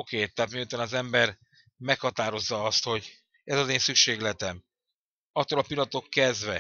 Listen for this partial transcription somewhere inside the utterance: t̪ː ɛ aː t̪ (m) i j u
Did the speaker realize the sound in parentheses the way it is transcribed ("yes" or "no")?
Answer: yes